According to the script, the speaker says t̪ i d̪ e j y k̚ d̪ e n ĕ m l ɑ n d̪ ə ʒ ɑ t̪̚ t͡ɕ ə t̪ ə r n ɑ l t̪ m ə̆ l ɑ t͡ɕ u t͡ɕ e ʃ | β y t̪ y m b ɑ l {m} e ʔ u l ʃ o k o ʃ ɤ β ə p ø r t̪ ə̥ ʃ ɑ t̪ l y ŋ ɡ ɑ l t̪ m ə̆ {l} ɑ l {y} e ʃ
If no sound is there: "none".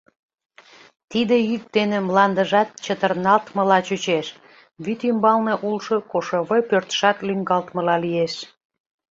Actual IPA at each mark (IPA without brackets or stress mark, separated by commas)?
n, l, i